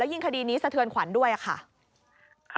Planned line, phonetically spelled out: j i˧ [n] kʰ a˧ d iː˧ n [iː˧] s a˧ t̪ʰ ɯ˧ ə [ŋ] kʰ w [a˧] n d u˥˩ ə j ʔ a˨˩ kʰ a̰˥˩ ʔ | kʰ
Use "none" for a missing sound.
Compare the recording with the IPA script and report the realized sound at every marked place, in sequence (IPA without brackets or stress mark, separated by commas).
ŋ, iː˦˥, n, a˩˦